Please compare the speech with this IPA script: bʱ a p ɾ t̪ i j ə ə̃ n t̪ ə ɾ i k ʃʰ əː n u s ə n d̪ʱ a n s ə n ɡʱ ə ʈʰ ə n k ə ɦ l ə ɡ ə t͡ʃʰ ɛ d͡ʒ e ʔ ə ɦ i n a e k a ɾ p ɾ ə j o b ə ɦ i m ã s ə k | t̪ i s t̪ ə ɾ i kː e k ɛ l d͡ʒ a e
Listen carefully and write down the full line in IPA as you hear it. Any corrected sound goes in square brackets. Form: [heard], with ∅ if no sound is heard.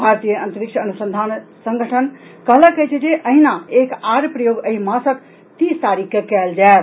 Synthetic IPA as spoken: bʱ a [∅] ɾ t̪ i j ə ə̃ n t̪ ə ɾ i k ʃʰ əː n u s ə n d̪ʱ a n s ə [ŋ] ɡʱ ə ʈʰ ə n k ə ɦ l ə [k] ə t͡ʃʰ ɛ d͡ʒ e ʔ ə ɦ i n a e k a ɾ p ɾ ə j o [ɡ] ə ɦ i m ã s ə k | t̪ i s t̪ [a] ɾ i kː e k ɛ l d͡ʒ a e